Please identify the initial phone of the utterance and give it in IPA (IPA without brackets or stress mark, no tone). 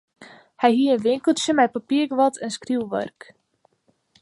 h